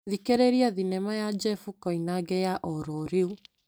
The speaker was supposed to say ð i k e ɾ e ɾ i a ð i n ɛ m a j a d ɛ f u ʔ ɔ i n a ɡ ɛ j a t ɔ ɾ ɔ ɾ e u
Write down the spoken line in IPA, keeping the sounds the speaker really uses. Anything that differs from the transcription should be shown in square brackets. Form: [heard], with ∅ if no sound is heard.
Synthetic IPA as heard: ð i k e ɾ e ɾ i a ð i n ɛ m a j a [d͡ʒ] ɛ f u [k] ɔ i n a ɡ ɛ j a [ʔ] ɔ ɾ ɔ ɾ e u